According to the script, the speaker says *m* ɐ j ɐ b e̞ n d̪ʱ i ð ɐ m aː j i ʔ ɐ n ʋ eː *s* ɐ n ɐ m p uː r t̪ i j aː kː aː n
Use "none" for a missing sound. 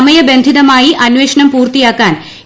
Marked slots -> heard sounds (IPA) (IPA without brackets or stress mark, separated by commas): m, ʂ